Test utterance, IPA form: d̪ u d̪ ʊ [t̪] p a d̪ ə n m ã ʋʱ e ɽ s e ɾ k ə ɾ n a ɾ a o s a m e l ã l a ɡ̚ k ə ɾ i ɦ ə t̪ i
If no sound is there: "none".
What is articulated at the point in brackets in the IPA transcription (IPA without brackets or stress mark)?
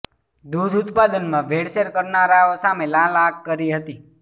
t̪